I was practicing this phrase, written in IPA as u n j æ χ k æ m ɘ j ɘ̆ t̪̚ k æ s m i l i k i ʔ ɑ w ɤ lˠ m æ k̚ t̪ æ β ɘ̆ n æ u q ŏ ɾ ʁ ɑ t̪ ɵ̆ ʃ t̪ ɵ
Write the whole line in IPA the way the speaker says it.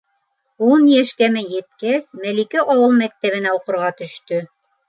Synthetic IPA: u n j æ ʃ k æ m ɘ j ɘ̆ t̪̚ k æ s m æ l i k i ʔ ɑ w ɤ lˠ m æ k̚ t̪ æ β ɘ̆ n æ u q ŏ ɾ ʁ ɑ t̪ ɵ̆ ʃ t̪ ɵ